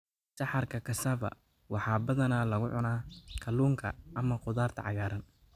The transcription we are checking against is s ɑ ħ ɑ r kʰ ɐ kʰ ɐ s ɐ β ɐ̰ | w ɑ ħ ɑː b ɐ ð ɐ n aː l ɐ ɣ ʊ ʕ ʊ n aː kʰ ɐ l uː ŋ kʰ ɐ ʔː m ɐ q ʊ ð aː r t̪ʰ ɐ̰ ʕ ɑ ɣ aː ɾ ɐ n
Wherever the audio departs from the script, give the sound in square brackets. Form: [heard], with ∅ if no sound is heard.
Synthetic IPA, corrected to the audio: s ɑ ħ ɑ r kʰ ɐ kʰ ɐ s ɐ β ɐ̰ | w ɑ ħ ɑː b ɐ ð ɐ n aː l ɐ ɣ ʊ ʕ ʊ n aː kʰ ɐ l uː ŋ kʰ ɐ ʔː m ɐ q ʊ ð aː r t̪ʰ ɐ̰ ʕ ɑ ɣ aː ɾ ɐ n